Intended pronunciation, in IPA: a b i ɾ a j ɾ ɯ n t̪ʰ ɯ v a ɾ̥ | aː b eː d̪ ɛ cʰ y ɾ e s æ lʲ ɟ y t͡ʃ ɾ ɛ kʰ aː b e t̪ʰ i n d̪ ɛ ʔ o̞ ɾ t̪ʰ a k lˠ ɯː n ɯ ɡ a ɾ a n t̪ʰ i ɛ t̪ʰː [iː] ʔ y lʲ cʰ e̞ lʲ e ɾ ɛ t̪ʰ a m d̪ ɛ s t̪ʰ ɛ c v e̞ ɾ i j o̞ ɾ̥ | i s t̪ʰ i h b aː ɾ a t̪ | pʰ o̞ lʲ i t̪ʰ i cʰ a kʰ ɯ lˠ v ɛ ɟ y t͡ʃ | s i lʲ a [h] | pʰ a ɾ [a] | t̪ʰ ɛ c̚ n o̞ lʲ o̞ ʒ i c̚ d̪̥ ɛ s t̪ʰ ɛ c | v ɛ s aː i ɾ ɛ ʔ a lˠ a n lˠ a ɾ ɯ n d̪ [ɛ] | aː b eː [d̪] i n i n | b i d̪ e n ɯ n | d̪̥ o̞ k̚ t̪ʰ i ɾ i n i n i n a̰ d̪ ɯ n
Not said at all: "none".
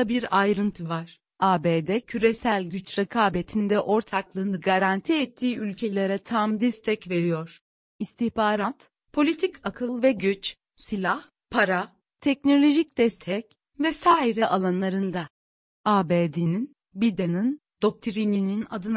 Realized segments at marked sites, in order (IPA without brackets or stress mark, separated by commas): iː, h, a, a, d̪